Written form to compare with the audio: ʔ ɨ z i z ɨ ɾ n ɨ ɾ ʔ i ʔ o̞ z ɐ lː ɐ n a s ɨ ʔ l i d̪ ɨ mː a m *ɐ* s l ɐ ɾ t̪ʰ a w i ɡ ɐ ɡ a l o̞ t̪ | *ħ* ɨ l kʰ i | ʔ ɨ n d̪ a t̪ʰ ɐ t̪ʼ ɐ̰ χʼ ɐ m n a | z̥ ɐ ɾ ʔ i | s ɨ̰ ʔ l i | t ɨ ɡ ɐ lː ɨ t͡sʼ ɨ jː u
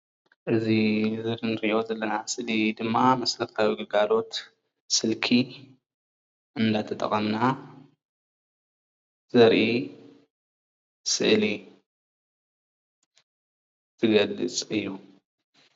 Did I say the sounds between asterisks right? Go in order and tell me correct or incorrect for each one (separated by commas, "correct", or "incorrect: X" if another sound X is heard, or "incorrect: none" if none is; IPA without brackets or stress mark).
correct, incorrect: s